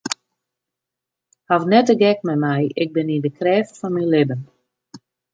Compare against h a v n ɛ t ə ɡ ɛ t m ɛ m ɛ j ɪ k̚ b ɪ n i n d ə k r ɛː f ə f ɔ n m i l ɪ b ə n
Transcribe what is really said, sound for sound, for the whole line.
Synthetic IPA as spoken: h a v n ɛ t ə ɡ ɛ k m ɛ m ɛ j ɪ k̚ b ɪ n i n d ə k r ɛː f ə f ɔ n m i l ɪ b ə n